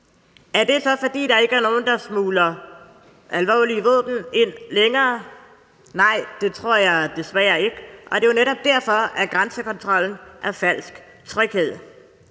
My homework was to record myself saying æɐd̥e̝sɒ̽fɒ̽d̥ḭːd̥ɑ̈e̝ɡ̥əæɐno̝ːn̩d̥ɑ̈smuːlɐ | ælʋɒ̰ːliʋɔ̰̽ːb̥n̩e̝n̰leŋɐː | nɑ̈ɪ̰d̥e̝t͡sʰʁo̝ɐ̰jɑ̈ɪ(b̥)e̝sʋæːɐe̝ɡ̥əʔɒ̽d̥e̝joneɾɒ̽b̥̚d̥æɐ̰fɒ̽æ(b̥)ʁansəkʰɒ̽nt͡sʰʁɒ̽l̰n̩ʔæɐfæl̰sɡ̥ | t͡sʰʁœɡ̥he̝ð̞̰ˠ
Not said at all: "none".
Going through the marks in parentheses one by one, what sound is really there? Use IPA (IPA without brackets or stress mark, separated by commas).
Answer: d̥, ɡ̥